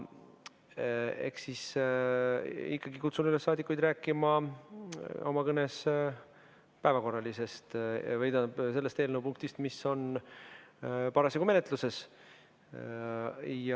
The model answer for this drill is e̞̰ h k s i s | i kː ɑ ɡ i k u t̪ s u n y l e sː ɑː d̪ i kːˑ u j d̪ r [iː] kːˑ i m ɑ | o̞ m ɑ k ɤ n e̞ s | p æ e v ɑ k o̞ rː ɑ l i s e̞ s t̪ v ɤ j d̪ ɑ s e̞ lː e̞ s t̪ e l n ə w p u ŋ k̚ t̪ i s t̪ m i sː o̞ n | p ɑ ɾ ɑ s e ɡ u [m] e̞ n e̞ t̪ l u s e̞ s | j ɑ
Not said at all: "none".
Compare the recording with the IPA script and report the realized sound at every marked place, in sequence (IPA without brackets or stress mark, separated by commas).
æː, m